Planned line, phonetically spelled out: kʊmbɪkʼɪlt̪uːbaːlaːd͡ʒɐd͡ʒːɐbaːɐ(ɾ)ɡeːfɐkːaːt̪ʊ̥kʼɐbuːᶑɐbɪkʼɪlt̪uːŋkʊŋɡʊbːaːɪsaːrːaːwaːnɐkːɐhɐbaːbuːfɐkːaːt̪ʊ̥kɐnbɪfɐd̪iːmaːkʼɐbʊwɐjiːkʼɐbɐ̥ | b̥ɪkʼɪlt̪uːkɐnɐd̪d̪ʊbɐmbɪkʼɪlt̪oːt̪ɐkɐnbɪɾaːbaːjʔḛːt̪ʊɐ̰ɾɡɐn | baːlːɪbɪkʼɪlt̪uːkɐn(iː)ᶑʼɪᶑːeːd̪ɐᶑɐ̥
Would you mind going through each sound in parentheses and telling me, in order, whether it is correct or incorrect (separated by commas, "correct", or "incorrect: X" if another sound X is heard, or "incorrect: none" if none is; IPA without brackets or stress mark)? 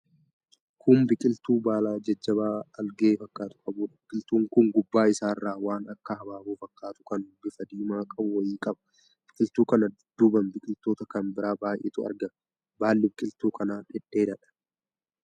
incorrect: l, incorrect: aː